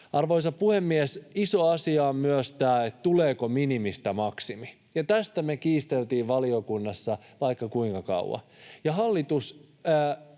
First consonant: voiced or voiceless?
voiced